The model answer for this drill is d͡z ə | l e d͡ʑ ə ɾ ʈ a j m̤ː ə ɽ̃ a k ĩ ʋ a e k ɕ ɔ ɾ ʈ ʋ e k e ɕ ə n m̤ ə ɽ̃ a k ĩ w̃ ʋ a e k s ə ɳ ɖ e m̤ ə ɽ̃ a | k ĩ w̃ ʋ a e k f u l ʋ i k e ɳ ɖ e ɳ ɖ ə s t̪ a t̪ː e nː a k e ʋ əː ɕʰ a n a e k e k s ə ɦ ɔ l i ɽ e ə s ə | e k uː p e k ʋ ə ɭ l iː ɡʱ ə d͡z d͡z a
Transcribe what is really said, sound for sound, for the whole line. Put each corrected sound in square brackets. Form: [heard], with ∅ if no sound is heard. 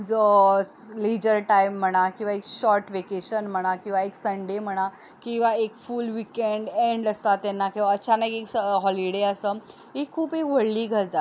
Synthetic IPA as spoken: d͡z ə | l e d͡ʑ ə ɾ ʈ a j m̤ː ə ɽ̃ a k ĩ ʋ a e k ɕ ɔ ɾ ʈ ʋ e k e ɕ ə n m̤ ə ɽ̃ a k ĩ w̃ ʋ a e k s ə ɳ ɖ e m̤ ə ɽ̃ a | k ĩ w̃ ʋ a e k f u l ʋ i k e ɳ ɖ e ɳ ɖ ə s t̪ a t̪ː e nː a k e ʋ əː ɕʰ a n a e k e k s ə ɦ ɔ l i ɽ e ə s ə | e [kʰ] uː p e k ʋ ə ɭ l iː ɡʱ ə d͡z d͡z a